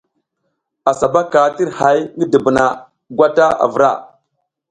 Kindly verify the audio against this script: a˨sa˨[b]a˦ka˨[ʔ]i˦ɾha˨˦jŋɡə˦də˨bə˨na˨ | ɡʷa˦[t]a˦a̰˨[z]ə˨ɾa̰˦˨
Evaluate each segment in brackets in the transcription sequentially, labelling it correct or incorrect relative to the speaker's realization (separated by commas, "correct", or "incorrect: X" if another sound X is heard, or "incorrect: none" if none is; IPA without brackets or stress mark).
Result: correct, incorrect: t, correct, incorrect: v